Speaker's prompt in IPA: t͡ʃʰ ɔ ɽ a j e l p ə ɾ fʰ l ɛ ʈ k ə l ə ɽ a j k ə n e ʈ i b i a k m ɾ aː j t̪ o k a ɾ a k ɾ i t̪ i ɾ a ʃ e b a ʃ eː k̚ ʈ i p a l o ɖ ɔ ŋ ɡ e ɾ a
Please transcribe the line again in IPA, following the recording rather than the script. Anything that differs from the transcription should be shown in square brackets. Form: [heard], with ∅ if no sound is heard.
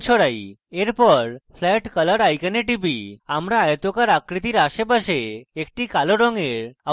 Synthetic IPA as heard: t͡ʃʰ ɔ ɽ a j e [ɾ] p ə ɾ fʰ l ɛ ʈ k ə l ə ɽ a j k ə n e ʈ i b i a [∅] m ɾ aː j t̪ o k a ɾ a k ɾ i t̪ i ɾ a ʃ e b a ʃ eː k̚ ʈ i [k] a l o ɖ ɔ ŋ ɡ e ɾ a

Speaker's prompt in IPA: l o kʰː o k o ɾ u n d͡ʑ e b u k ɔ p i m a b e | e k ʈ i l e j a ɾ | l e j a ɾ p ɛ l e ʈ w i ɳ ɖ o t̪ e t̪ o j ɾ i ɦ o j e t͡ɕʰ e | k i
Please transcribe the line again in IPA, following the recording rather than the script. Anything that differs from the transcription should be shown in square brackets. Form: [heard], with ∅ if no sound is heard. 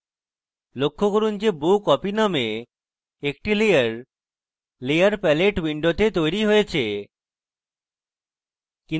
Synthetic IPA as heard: l o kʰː o k o ɾ u n d͡ʑ e b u k ɔ p i [n] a [m] e | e k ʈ i l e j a ɾ | l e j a ɾ p ɛ l e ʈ w i ɳ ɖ o t̪ e t̪ o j ɾ i ɦ o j e t͡ɕʰ e | k i

